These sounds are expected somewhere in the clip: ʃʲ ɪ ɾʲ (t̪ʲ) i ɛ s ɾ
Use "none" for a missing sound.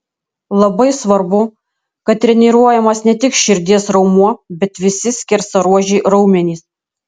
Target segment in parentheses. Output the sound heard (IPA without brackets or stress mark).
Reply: d̪ʲ